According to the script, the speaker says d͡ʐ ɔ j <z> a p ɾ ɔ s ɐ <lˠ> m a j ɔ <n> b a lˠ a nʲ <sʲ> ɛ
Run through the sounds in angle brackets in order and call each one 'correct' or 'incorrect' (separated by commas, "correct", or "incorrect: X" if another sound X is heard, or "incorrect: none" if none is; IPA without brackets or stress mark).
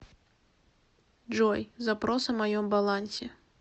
correct, incorrect: none, incorrect: m, correct